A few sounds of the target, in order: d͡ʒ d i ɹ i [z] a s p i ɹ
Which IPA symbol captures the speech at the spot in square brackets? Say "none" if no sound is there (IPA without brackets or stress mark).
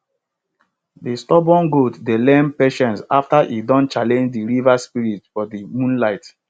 v